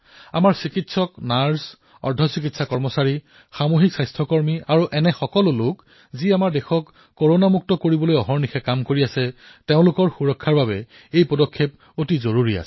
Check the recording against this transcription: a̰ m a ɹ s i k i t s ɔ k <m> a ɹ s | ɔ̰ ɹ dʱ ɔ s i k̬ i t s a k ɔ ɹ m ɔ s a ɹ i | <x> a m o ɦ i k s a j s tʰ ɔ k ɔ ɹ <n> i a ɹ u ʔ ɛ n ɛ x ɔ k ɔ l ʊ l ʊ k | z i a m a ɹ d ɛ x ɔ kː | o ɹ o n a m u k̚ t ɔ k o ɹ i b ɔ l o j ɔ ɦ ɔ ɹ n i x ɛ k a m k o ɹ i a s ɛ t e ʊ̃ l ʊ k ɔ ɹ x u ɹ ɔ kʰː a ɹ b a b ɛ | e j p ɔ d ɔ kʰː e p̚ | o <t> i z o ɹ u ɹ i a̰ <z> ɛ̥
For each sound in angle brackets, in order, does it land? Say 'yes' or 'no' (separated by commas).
no, yes, no, yes, no